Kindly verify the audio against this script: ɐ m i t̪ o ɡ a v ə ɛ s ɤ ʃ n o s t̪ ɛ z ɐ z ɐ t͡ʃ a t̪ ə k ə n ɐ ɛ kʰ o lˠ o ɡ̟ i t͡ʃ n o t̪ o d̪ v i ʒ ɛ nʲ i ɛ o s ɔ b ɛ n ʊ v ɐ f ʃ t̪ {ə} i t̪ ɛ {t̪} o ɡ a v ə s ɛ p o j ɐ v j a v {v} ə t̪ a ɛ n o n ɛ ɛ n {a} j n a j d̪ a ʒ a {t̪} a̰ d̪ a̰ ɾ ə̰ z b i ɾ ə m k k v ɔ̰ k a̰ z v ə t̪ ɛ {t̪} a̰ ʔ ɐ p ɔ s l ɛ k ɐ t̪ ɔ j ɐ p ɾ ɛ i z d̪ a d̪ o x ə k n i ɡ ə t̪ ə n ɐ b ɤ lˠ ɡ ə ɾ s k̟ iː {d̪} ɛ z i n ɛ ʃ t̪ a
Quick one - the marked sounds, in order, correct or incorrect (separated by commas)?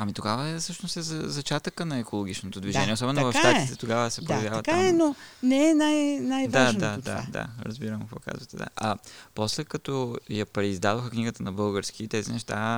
incorrect, correct, correct, correct, incorrect, incorrect, incorrect